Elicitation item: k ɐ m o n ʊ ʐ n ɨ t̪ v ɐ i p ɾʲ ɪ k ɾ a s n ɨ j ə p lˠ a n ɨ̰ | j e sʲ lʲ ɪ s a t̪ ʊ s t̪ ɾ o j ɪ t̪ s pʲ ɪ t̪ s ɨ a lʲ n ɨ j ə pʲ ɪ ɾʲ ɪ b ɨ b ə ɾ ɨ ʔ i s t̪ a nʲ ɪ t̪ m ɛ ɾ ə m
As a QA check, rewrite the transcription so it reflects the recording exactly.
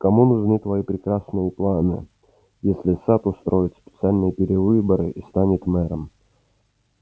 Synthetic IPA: k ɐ m u n ʊ ʐ n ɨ t̪ v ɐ i p ɾʲ ɪ k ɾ a s n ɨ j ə p lˠ a n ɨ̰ | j e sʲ lʲ ɪ s a t̪ ʊ s t̪ ɾ o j ɪ t̪ s pʲ ɪ t̪ s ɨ a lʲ n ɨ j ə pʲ ɪ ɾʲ ɪ v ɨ b ə ɾ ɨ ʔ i s t̪ a nʲ ɪ t̪ m ɛ ɾ ə m